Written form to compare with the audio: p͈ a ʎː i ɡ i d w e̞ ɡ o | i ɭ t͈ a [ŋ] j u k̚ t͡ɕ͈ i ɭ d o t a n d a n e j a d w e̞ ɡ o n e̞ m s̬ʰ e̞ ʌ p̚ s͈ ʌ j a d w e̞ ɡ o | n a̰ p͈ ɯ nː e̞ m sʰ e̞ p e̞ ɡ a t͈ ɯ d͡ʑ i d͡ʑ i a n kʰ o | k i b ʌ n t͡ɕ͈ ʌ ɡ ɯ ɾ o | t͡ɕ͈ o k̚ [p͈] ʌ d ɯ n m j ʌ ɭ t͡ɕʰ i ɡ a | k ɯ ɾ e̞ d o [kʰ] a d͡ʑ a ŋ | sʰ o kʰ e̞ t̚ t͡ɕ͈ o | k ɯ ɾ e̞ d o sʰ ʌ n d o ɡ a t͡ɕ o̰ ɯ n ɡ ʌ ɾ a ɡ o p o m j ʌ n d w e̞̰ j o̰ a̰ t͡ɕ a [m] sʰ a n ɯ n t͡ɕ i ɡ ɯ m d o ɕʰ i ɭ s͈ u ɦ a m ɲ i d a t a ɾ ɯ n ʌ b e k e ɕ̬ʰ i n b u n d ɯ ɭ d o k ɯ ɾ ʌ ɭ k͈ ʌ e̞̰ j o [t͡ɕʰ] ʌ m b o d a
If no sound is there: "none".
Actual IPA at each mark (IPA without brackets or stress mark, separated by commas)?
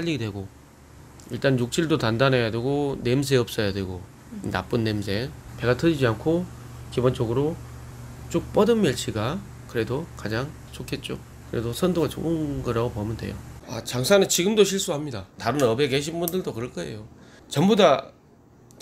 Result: n, p͈, k, ŋ, t͡ɕ